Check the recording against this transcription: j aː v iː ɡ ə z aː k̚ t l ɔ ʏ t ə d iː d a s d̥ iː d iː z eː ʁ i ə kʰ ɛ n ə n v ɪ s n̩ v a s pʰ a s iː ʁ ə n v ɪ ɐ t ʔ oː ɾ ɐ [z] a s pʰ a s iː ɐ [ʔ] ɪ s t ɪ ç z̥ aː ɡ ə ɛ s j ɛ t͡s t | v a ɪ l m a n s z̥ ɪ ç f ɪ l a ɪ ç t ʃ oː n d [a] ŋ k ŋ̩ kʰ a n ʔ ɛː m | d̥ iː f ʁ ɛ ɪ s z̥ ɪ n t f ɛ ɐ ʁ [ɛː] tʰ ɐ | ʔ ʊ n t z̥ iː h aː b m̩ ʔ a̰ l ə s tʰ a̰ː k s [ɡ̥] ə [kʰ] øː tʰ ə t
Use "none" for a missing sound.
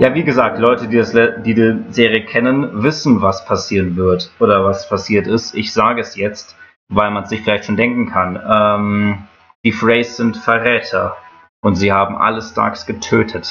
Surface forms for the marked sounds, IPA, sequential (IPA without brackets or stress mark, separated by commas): v, t, ɛ, ɛː, ɡ̥, tʰ